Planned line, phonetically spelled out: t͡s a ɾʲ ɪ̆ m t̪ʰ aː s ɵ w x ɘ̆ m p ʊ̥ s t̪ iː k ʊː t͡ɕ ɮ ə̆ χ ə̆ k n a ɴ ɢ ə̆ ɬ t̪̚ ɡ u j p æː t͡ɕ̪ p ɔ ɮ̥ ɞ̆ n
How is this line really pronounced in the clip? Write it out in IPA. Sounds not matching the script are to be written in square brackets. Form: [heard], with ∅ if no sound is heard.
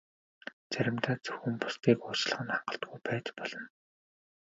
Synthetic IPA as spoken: t͡s [æ] ɾʲ ɪ̆ m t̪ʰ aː [t͡s] ɵ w x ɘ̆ m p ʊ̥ s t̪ iː k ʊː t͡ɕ ɮ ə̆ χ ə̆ [∅] n a ɴ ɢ ə̆ ɬ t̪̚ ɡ u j p æː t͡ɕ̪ p ɔ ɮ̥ ɞ̆ n